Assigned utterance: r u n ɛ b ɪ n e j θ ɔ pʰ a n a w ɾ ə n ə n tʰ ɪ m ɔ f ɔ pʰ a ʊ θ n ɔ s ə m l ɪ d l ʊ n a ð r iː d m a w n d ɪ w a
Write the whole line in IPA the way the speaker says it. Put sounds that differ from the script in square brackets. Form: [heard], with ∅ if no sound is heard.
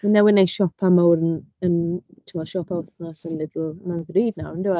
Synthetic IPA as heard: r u n ɛ [w] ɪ n e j [ʃ] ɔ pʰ a [m] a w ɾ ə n ə n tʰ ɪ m ɔ [ʃ] ɔ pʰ a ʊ θ n ɔ s ə [n] l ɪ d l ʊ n a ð r iː d [n] a w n d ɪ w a